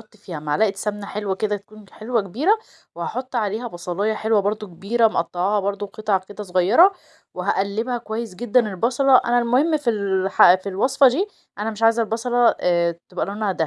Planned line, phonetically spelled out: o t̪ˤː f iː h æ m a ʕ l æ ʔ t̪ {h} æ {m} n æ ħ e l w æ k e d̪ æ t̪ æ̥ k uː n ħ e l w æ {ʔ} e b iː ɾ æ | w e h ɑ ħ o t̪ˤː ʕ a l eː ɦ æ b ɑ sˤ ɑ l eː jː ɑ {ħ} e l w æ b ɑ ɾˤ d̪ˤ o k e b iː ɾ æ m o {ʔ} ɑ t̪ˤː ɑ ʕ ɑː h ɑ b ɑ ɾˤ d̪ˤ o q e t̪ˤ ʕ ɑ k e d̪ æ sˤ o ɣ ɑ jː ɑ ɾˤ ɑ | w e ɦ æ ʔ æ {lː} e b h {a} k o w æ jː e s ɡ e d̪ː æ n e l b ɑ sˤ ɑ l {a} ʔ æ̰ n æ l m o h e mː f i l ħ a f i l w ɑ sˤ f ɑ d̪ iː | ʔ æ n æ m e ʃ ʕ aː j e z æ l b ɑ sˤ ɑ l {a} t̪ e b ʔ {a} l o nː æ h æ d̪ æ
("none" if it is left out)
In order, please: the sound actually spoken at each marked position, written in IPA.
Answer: s, m, k, ħ, ʔ, lː, æ, ɑ, ɑ, æ

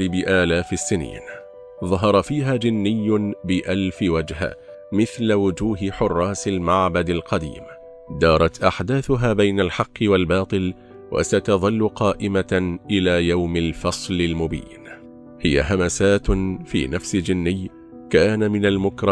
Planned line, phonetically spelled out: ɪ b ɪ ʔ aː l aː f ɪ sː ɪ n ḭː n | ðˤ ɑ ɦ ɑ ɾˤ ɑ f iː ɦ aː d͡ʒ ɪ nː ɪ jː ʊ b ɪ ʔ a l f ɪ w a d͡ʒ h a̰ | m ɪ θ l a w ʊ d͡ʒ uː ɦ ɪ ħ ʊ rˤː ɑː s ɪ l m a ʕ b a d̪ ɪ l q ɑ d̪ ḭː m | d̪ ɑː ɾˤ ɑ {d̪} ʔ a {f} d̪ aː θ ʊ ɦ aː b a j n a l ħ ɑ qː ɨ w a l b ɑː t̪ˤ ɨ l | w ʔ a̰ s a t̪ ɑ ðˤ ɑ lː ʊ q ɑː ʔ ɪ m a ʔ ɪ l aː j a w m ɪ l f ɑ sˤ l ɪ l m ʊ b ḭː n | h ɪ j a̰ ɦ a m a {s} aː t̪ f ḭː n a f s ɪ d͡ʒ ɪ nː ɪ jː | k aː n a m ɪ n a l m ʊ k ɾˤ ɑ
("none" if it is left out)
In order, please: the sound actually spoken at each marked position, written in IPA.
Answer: t̪, ħ, s

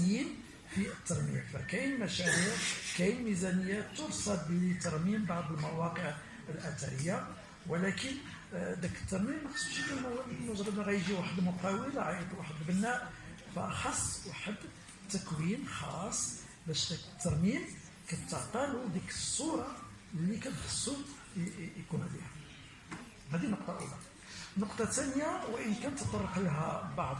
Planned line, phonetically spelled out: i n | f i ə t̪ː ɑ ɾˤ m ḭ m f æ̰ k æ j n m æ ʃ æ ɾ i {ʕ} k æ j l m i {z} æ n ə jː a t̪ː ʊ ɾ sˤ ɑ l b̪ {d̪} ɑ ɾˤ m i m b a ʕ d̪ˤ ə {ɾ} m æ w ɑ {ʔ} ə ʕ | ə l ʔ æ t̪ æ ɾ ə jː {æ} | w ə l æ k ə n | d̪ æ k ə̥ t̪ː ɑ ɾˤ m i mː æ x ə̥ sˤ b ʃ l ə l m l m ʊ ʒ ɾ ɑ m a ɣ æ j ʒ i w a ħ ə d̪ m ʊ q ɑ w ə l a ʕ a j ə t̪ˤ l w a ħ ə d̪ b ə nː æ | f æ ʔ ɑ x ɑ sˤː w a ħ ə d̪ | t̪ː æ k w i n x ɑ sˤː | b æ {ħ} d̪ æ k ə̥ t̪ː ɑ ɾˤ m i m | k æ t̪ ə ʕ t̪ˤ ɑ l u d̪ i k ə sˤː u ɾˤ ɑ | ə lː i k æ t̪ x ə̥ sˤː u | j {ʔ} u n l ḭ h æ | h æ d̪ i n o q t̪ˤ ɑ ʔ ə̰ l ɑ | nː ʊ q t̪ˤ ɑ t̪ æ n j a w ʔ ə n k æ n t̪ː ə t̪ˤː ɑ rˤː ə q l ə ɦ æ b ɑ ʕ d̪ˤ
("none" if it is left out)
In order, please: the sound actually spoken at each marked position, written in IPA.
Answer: ʕ, z, t̪, l, q, a, ʃ, k

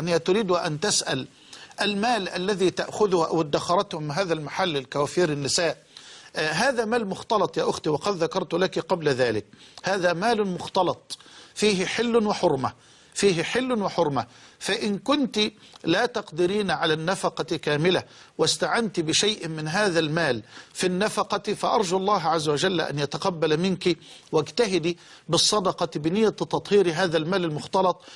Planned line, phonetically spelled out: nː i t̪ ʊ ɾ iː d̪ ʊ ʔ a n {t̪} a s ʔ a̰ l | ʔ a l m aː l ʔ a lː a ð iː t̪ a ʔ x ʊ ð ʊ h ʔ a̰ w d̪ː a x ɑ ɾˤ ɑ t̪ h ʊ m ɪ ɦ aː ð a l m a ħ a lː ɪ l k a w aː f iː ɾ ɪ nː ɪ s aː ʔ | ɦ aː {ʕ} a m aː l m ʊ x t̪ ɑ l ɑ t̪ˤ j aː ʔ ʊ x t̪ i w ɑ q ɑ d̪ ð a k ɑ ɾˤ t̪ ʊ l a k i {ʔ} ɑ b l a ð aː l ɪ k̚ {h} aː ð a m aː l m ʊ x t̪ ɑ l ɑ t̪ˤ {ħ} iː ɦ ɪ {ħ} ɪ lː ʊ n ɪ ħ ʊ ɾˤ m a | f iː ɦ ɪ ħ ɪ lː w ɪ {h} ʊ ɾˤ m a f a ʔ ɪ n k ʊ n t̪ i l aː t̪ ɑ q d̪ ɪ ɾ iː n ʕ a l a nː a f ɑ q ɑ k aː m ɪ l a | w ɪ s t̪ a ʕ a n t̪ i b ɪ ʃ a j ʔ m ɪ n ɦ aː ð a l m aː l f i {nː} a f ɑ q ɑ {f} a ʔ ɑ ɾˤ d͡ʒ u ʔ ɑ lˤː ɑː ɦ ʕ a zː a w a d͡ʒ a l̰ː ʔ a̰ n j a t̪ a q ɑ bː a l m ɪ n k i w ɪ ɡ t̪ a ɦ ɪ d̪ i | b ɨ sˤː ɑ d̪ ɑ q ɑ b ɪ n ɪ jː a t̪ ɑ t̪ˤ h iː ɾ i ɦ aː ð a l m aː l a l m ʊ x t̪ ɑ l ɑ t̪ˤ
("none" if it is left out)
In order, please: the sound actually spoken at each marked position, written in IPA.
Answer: t̪, ð, q, h, f, ħ, ħ, nː, f

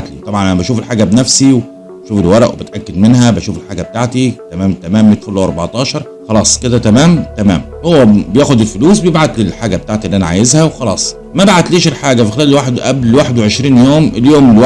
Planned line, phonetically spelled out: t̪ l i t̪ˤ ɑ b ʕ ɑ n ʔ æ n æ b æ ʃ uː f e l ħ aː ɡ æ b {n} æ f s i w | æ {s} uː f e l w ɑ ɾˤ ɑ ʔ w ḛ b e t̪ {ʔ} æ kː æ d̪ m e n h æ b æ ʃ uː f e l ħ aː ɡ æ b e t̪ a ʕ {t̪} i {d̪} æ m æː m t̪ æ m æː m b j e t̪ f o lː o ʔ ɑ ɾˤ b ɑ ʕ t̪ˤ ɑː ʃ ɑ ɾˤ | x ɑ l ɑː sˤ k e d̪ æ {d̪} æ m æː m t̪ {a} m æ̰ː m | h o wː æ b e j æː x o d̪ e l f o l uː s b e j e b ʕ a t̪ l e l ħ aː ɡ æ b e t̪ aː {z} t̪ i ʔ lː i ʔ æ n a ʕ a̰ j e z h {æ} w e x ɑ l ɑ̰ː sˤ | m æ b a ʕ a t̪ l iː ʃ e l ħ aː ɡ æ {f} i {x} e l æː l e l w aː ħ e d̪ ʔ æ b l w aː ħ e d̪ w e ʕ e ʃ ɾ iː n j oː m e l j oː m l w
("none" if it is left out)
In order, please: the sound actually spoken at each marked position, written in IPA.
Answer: n, ʃ, ʔ, t̪, t̪, t̪, æ, ʕ, æ, f, x

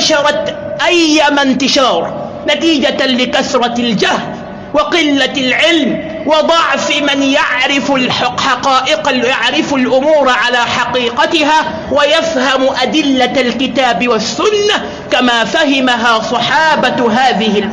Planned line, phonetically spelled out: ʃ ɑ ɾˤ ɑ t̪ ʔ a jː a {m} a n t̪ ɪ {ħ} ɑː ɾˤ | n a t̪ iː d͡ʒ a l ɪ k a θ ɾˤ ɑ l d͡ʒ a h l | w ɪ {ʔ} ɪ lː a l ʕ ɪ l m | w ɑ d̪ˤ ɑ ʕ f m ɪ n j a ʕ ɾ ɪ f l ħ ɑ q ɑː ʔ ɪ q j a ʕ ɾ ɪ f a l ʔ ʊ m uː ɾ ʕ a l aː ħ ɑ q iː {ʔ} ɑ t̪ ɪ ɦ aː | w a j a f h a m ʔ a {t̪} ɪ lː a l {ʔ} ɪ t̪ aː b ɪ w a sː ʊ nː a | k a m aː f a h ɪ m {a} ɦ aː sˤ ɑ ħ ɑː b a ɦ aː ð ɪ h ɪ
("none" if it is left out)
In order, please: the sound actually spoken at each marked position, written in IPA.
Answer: m, ʃ, q, q, d̪, k, a

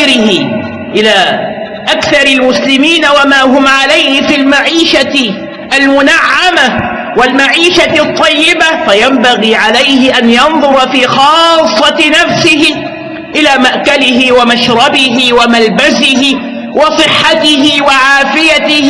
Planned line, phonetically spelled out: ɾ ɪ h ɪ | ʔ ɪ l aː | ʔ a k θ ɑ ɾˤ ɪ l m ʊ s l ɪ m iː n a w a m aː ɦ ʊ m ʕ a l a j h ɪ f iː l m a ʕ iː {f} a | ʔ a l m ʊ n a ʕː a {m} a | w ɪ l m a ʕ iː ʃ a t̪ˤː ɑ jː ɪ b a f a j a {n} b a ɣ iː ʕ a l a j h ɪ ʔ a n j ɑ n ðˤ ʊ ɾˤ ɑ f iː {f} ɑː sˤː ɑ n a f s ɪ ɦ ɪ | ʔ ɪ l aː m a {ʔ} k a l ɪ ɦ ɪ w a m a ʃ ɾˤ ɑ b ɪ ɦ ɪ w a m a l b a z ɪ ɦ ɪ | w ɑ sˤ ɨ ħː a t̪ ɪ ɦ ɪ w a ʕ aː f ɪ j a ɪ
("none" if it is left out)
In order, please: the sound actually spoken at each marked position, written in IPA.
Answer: ʃ, m, m, x, ʔ

